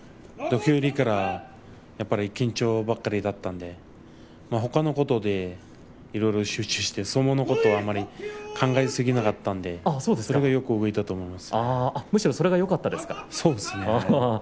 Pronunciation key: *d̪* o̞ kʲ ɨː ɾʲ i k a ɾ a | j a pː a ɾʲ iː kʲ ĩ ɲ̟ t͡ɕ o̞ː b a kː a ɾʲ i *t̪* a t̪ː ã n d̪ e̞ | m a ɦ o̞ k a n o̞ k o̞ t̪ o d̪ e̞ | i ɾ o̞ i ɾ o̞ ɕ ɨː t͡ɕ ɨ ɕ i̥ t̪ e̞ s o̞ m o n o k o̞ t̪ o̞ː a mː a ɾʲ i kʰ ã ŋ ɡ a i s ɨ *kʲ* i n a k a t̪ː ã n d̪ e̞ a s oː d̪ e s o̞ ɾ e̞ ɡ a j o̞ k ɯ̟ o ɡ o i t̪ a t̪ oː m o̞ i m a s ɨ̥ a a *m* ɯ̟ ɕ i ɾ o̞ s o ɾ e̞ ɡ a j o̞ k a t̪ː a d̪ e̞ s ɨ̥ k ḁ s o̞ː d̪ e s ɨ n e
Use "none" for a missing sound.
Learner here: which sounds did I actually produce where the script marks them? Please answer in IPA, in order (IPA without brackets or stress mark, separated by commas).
d̪, d̪, ɡʲ, m